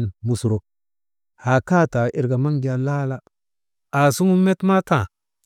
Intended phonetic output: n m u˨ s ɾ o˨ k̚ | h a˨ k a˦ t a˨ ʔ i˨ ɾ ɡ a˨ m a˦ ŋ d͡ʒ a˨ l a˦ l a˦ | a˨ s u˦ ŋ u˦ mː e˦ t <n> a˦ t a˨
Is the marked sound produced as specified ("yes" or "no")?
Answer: no